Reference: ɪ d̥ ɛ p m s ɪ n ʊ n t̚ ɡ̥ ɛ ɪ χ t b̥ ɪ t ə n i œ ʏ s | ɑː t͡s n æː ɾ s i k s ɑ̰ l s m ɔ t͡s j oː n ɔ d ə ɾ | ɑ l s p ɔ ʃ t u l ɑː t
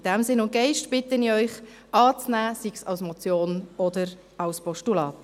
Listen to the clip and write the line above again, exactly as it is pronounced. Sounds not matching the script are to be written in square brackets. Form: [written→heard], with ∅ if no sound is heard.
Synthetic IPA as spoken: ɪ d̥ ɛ [p→∅] m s ɪ n ʊ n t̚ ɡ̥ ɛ ɪ [χ→ʃ] t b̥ ɪ t ə n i œ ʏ [s→χ] | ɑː t͡s n æː [ɾ→∅] s i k s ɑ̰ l s m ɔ t͡s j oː n ɔ d ə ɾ | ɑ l s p ɔ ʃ t u l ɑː t